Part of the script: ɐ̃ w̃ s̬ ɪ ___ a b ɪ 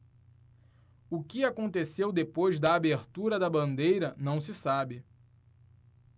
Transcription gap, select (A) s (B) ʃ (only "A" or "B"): A